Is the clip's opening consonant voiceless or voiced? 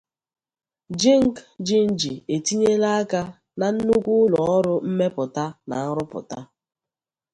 voiced